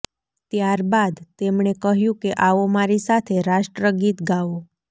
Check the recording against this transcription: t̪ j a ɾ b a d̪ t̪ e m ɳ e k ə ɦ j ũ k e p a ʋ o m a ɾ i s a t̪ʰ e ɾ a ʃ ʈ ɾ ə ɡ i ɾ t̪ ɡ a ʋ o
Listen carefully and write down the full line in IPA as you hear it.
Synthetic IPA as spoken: t̪ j a ɾ b a d̪ t̪ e m ɳ e k ə ɦ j ũ k e ʔ a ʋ o m a ɾ i s a t̪ʰ e ɾ a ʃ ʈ ɾ ə ɡ i t̪ ɡ a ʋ o

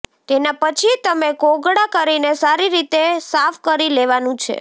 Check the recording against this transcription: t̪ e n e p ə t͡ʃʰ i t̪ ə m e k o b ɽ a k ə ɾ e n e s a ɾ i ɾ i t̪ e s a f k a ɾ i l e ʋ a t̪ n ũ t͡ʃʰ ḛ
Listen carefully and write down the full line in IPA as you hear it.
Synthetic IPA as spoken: t̪ e n a p ə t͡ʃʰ i t̪ ə m e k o ɡ ɽ a k ə ɾ i n e s a ɾ i ɾ i t̪ e s a f k ə ɾ i l e ʋ a n ũ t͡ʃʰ ḛ

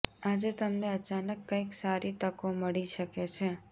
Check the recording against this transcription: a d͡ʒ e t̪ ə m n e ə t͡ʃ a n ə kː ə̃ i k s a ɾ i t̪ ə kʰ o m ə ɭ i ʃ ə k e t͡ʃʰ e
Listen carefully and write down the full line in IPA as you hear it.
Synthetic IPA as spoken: a d͡ʒ e t̪ ə m n e ə t͡ʃ a n ə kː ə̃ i k s a ɾ i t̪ ə k o m ə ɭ i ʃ ə k e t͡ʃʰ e

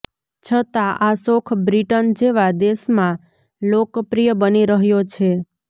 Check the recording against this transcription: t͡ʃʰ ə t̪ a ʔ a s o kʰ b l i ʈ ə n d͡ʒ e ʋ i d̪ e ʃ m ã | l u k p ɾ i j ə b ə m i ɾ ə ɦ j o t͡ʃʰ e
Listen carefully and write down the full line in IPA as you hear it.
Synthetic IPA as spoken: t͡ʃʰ ə t̪ a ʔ a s o kʰ b ɾ i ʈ ə n d͡ʒ e ʋ a d̪ e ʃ m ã | l o k p ɾ i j ə b ə n i ɾ ə ɦ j o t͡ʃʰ e

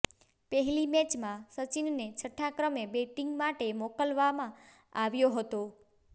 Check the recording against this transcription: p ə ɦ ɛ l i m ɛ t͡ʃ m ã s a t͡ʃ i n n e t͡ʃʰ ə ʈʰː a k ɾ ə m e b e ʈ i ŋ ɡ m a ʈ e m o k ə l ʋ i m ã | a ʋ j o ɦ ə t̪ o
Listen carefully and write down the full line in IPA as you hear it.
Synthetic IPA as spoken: p ə ɦ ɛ l i m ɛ t͡ʃ m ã s ə t͡ʃ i n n e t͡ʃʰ ə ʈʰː a k ɾ ə m e b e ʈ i ŋ ɡ m a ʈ e m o k ə l ʋ a m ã | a ʋ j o ɦ ə t̪ o

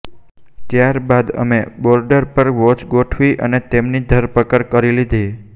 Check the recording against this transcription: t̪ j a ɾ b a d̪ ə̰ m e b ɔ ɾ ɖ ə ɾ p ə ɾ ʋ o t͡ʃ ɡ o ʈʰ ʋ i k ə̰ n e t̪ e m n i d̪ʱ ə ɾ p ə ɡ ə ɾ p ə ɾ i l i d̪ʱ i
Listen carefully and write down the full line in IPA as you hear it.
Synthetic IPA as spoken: t̪ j a ɾ b a d̪ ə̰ m e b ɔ ɾ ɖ ə ɾ p ə ɾ ʋ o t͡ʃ ɡ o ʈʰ ʋ i ʔ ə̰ n e t̪ e m n i d̪ʱ ə ɾ p ə k ə ɾ k ə ɾ i l i d̪ʱ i

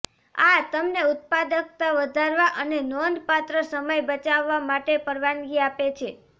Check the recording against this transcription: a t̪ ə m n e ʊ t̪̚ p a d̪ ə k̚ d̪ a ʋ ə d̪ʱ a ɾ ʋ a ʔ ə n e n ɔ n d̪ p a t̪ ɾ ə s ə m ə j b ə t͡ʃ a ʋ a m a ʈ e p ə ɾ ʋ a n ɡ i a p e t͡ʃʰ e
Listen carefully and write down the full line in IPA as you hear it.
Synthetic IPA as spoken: a t̪ ə m n e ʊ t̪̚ p a d̪ ə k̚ t̪ a ʋ ə d̪ʱ a ɾ ʋ a ʔ ə n e n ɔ n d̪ p a t̪ ɾ ə s ə m ə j b ə t͡ʃ a ʋː a m a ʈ e p ə ɾ ʋ a n ɡ i a p e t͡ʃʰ e

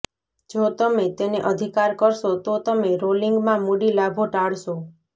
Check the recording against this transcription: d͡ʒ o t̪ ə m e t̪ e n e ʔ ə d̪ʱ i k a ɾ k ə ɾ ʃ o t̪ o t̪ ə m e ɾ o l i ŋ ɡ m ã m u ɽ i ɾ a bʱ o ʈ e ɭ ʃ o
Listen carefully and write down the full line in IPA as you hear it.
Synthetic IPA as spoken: d͡ʒ o t̪ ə m e t̪ e n e ʔ ə d̪ʱ i k a ɾ k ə ɾ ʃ o t̪ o t̪ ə m e ɾ o l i ŋ ɡ m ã m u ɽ i l a bʱ o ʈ a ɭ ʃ o

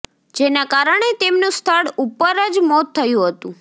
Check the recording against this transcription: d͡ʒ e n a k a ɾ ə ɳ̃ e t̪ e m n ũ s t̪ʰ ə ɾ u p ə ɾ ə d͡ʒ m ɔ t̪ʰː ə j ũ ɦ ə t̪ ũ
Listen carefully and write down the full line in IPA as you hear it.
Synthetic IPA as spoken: d͡ʒ e n a k a ɾ ə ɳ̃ e t̪ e m n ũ s t̪ʰ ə ɽ u p ə ɾ ə d͡ʒ m ɔ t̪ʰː ə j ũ ɦ ə t̪ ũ

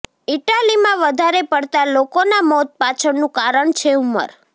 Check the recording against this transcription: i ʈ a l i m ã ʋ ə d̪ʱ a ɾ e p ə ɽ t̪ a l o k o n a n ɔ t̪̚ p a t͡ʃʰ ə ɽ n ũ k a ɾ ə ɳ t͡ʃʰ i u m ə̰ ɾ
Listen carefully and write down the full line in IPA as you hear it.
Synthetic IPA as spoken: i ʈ a l i m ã ʋ ə d̪ʱ a ɾ e p ə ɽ t̪ a l o k o n a m ɔ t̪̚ p a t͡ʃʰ ə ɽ n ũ k a ɾ ə ɳ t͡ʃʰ e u m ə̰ ɾ

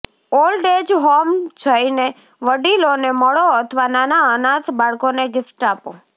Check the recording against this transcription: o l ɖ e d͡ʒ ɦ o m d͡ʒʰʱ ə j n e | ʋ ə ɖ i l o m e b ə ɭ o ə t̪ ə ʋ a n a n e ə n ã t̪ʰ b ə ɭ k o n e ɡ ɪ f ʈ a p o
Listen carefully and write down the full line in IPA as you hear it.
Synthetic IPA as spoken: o l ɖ e d͡ʒ ɦ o m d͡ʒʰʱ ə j n e | ʋ ə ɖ i l o n e m ə ɭ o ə t̪ʰ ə ʋ a n a n a ə n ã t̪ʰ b a ɭ k o n e ɡ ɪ f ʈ a p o

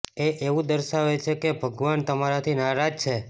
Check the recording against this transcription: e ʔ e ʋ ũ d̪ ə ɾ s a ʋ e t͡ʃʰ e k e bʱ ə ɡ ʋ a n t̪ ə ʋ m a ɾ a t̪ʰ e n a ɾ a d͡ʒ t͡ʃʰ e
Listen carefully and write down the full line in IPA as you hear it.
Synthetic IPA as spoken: e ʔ e ʋ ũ d̪ ə ɾ ʃ a ʋ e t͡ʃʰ e k e bʱ ə ɡ ʋ a n t̪ ə m a ɾ a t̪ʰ i n a ɾ a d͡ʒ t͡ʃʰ e

